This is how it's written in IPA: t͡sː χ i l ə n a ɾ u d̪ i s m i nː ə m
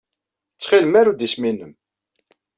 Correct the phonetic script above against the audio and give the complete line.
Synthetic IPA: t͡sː χ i l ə m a ɾ u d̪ i s m i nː ə m

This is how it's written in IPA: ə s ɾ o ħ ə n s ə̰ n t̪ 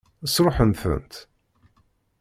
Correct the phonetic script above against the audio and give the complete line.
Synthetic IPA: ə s ɾ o ħ ə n θ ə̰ n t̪

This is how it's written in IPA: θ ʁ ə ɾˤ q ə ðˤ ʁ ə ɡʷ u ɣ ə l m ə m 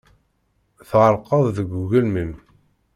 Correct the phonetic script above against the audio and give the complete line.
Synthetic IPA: θ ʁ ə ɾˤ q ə ðˤ ð ə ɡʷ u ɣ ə l m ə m

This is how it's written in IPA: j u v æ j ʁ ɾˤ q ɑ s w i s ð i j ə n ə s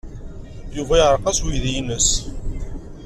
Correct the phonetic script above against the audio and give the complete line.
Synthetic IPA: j u v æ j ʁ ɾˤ q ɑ s w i ð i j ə n ə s

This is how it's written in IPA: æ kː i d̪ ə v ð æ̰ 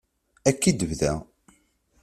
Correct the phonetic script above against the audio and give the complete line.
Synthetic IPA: æ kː i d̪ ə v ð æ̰

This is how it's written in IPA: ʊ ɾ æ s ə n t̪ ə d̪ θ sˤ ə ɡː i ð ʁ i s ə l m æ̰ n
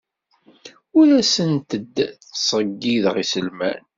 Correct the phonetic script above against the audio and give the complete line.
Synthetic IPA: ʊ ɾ æ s ə n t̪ ə d̪ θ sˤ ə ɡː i ð ʁ i s ə l m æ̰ n

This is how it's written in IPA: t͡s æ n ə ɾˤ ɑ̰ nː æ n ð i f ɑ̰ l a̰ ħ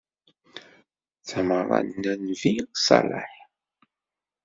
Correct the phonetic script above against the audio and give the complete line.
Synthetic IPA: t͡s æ m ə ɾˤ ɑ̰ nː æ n v i s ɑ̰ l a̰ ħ

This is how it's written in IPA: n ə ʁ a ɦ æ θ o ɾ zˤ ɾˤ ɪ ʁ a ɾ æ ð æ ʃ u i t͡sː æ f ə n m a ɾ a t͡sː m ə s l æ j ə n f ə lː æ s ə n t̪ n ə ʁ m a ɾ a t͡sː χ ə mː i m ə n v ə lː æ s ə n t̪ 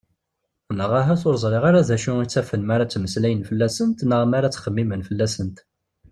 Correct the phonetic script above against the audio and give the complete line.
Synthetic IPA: n ə ʁ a ɦ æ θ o ɾ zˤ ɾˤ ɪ ʁ a ɾ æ ð æ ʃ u i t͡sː æ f ə n m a ɾ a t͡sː m ə s l æ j ə n f ə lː æ s ə n t̪ n ə ʁ m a ɾ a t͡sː χ ə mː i m ə n f ə lː æ s ə n t̪

